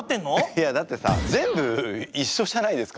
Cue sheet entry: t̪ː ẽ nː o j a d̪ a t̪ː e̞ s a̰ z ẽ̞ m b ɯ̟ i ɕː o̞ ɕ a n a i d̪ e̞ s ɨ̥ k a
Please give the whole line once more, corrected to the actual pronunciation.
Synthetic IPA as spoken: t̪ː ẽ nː o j a d̪ a t̪ː e̞ s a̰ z ẽ̞ m b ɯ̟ i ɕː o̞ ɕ a n a i d̪ e̞ s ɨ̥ k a

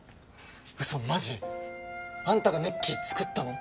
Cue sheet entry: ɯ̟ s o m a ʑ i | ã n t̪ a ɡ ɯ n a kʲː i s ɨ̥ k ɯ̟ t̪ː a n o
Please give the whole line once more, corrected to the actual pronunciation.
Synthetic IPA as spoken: ɯ̟ s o m a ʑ i | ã n t̪ a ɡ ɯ n e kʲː i t͡s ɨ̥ k ɯ̟ t̪ː a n o

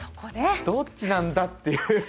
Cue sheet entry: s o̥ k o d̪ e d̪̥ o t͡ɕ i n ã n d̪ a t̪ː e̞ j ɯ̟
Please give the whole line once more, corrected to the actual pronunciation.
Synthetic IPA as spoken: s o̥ k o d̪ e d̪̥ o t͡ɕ i n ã n d̪ a t̪ː e̞ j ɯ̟

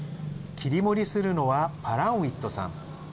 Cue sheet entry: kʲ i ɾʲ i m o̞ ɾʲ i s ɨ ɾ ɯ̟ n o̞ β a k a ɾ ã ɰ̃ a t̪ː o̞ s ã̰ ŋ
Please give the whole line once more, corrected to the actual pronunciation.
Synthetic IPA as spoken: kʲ i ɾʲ i m o̞ ɾʲ i s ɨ ɾ ɯ̟ n o̞ β a p a ɾ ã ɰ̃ i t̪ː o̞ s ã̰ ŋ

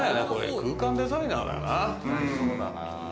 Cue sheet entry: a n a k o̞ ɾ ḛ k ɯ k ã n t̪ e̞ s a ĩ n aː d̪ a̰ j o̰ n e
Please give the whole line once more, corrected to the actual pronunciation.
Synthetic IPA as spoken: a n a k o̞ ɾ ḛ k ɯː k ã n d̪ e̞ z a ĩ n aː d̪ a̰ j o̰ n a

